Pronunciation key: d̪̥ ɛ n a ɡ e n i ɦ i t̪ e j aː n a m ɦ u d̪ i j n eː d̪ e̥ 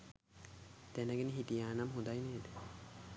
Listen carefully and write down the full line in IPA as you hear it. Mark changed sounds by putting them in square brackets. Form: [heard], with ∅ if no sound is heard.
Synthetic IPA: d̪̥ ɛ n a ɡ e n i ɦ i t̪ [i] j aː n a m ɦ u d̪ [a] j n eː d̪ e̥